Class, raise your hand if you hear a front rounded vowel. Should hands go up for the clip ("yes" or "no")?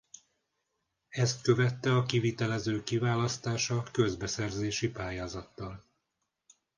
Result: yes